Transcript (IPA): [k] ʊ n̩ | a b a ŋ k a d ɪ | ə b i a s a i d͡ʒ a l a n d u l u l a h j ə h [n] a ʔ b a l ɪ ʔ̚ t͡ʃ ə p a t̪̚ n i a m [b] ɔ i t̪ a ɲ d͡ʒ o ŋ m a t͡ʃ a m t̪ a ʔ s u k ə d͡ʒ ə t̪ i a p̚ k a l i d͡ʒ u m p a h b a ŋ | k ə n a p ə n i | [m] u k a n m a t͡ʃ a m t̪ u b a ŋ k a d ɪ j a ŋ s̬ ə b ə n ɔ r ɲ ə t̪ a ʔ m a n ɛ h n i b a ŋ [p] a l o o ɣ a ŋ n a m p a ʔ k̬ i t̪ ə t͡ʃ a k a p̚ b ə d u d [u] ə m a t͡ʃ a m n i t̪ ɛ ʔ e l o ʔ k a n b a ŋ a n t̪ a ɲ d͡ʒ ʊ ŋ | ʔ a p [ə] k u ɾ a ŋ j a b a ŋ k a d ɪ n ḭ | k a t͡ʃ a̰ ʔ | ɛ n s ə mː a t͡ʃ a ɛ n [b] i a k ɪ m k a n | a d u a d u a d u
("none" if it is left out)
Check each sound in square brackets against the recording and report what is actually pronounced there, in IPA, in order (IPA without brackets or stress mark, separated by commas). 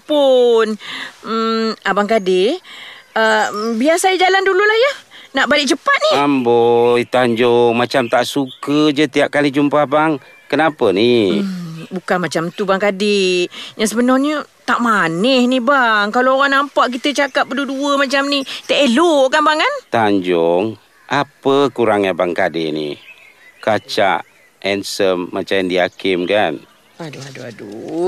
p, n, b, b, k, u, ə, d